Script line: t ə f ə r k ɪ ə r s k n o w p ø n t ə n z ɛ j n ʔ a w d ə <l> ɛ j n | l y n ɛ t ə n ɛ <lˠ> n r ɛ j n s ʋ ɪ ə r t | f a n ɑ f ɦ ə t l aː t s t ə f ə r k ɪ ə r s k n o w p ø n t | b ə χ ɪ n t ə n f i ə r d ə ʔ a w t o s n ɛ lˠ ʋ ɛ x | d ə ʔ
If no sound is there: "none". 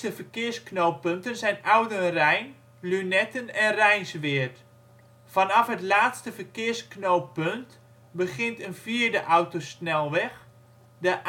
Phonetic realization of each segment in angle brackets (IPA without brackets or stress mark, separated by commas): r, none